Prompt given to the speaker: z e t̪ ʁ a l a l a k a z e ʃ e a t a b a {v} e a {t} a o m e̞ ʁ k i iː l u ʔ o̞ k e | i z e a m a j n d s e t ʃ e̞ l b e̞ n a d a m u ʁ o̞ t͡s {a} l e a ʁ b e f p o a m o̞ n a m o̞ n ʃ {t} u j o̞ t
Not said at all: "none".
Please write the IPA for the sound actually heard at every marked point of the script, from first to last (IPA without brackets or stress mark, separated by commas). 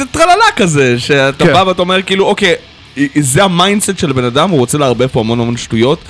v, t, e, t